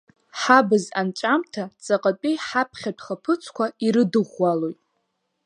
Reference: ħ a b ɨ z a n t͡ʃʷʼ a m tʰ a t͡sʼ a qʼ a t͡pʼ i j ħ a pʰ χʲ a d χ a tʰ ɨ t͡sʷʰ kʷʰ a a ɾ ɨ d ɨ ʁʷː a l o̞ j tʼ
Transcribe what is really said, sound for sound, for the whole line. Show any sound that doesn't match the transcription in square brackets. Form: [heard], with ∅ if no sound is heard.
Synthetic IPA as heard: ħ a b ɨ z a n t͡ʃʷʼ a m tʰ a t͡sʼ a qʼ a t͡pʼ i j ħ a pʰ χʲ a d χ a [pʰ] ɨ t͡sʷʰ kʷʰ a [i] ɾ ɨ d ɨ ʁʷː a l o̞ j tʼ

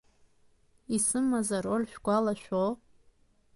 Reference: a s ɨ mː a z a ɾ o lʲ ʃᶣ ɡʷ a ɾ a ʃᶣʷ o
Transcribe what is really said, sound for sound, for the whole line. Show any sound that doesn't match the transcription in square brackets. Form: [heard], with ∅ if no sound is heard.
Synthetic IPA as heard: [i] s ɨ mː a z a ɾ o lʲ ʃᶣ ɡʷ a [l] a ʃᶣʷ o

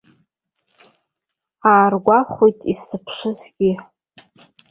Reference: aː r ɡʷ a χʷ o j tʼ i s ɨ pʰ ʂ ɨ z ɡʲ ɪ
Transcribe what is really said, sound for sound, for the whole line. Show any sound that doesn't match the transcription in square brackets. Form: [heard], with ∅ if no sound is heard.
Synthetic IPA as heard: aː r ɡʷ a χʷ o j tʼ i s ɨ pʰ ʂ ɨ z ɡʲ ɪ

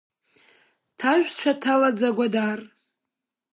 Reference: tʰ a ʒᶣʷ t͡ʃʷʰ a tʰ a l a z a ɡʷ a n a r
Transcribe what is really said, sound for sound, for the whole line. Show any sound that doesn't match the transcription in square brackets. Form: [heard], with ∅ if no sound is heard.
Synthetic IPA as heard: tʰ a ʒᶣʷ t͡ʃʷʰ a tʰ a l a [d͡z] a ɡʷ a [d] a r

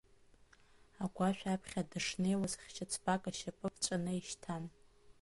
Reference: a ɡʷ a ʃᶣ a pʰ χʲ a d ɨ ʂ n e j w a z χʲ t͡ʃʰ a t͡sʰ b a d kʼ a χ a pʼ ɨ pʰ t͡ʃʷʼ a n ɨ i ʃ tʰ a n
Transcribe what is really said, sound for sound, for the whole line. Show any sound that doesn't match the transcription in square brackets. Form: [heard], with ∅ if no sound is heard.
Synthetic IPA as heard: a ɡʷ a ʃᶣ a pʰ χʲ a d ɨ ʂ n e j w a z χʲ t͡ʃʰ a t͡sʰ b a [∅] kʼ a [ʃ] a pʼ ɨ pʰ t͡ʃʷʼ a n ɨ i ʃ tʰ a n

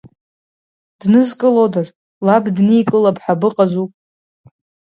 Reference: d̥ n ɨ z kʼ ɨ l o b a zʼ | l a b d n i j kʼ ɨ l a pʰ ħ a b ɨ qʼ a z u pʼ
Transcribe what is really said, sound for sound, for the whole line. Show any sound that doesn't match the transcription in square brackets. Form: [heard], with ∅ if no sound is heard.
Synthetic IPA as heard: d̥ n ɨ z kʼ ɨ l o [d] a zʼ | l a b d n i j kʼ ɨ l a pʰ ħ a b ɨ qʼ a z u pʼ

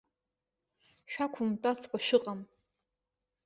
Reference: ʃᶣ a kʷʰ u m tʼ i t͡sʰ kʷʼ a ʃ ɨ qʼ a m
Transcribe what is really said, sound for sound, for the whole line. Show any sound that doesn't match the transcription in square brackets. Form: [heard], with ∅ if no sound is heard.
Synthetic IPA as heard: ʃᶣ a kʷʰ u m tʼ [a] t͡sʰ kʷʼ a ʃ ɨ qʼ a m

